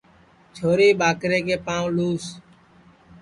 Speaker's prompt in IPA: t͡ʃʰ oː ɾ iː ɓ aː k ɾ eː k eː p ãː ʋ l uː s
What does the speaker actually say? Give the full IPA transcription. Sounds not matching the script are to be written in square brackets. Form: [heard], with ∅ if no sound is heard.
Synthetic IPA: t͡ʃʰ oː ɾ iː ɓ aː k ɾ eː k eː p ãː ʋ l uː s